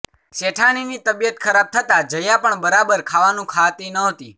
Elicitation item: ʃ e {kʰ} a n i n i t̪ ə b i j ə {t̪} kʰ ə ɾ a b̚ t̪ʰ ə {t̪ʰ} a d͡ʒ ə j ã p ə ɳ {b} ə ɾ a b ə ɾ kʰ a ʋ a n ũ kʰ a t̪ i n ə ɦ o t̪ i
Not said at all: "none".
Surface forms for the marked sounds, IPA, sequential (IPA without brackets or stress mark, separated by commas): ʈʰ, t̪, t̪, b